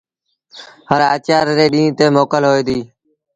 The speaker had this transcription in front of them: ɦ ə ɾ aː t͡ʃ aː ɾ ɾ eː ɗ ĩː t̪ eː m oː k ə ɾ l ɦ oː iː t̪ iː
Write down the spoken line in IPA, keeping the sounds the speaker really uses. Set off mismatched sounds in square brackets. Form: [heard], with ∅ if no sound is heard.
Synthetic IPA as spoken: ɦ ə ɾ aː t͡ʃ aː ɾ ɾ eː ɗ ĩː t̪ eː m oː k ə [∅] l ɦ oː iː [d̪] iː